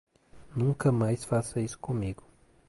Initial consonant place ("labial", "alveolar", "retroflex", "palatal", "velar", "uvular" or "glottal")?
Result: alveolar